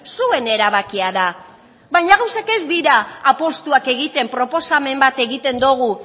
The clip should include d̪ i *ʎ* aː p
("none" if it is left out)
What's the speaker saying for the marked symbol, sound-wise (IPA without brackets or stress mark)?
ɾ